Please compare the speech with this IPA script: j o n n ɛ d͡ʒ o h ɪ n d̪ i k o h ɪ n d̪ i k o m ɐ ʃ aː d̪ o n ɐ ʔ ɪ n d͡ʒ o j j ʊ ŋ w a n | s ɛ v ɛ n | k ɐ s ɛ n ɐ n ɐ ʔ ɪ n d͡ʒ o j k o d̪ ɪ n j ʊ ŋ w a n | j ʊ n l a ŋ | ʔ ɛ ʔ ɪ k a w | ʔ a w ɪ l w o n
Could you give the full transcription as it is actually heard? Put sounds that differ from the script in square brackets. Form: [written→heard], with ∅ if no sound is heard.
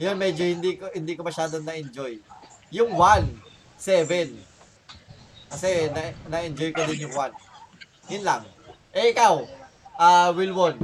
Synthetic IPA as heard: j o n [n→m] ɛ d͡ʒ o h ɪ n d̪ i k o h ɪ n d̪ i k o m ɐ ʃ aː d̪ o n ɐ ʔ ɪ n d͡ʒ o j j ʊ ŋ w a n | s ɛ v ɛ n | k ɐ s ɛ n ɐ n ɐ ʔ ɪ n d͡ʒ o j k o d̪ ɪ n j ʊ ŋ w a n | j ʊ n l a ŋ | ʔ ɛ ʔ ɪ k a w | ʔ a w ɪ l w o n